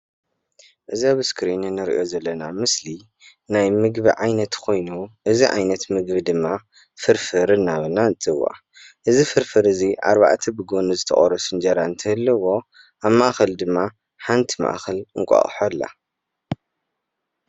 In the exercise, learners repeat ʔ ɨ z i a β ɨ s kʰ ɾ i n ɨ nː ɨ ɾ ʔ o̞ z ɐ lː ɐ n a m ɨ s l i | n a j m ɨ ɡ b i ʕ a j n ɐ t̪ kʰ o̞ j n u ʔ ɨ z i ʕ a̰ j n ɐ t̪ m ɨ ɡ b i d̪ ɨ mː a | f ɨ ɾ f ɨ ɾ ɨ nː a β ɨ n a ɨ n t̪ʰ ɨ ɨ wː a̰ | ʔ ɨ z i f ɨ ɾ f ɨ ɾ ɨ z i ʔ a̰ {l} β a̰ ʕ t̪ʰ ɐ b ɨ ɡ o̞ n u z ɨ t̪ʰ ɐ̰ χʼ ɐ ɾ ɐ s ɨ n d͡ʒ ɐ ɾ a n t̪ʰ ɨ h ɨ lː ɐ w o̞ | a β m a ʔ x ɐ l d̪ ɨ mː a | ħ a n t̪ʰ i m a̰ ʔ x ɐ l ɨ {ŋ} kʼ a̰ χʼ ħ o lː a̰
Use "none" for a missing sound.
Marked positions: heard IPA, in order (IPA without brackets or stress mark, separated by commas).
ɾ, ŋ